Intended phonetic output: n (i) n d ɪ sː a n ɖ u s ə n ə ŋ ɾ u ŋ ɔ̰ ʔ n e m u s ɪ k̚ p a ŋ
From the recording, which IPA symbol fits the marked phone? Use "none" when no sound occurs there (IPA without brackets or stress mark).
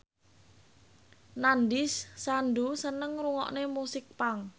a